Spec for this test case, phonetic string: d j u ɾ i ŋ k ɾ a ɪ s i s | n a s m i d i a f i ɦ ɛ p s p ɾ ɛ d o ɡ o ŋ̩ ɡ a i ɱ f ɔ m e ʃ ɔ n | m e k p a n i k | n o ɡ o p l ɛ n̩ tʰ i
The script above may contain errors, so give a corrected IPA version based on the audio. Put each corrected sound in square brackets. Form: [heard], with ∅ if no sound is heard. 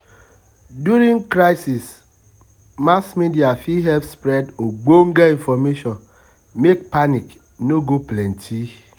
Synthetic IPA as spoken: d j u ɾ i ŋ k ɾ a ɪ s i s | [m] a s m i d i a f i ɦ ɛ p s p ɾ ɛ d o [ɡ͡b] o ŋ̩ ɡ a i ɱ f ɔ m e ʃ ɔ n | m e k p a n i k | n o ɡ o p l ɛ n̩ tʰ i